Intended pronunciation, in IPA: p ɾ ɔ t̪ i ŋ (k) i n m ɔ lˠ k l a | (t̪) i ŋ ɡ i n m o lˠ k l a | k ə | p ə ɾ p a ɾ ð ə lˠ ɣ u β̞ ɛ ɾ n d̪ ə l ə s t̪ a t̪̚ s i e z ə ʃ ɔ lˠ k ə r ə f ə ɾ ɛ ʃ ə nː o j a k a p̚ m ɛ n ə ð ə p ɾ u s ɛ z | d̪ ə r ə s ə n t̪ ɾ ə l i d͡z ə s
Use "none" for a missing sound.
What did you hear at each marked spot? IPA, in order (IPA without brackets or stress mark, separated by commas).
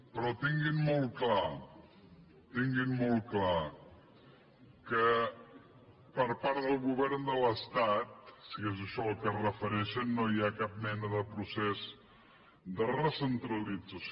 ɡ, t̪